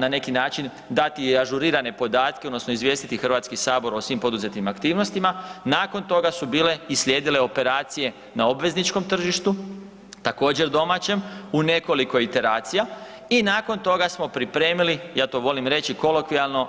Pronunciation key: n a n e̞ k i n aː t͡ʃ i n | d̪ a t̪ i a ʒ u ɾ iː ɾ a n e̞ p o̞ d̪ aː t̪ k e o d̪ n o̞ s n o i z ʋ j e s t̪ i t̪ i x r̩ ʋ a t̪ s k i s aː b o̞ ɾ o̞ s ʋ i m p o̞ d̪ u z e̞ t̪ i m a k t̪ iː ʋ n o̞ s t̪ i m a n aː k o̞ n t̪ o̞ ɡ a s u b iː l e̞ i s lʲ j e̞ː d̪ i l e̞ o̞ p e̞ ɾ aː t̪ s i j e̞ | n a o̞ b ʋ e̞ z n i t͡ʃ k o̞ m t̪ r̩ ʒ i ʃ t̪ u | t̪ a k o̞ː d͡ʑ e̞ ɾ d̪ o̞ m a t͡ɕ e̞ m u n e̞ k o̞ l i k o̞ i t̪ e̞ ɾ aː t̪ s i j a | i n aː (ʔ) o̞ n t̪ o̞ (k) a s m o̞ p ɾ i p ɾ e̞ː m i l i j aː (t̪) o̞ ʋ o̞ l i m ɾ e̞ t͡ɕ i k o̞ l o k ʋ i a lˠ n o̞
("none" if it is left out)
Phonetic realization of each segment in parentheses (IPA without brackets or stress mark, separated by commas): k, ɡ, t̪